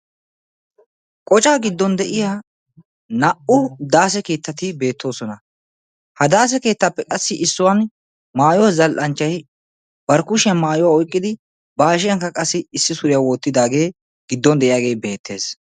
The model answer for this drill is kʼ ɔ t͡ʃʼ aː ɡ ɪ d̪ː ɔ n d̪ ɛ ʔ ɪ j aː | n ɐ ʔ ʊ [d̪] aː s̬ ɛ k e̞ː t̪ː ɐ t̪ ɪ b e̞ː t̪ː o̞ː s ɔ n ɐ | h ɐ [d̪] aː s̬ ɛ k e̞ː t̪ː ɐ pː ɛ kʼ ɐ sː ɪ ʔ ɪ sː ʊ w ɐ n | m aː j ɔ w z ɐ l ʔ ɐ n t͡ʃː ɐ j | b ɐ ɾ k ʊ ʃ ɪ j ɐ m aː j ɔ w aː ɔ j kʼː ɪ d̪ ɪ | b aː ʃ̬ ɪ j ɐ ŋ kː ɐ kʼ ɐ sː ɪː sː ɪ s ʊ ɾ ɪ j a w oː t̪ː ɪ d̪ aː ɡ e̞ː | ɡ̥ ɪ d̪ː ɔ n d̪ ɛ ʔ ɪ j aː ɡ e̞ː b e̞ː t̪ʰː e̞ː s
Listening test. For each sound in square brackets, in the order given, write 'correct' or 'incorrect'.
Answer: correct, correct

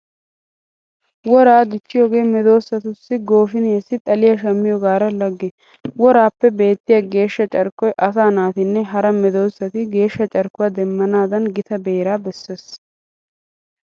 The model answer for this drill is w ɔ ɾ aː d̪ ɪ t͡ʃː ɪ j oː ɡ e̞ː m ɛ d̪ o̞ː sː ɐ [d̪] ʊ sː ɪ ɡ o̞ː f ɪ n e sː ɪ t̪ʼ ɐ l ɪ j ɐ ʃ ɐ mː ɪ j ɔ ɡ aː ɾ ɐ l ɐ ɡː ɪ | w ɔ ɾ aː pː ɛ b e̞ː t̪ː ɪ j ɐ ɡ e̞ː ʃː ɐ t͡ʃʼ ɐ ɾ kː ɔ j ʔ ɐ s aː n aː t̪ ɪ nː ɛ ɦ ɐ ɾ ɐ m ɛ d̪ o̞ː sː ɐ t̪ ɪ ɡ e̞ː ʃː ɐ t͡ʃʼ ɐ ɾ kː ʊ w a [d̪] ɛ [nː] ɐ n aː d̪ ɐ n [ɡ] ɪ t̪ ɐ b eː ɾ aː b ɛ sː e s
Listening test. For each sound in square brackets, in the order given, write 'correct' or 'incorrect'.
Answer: incorrect: t̪, correct, incorrect: mː, correct

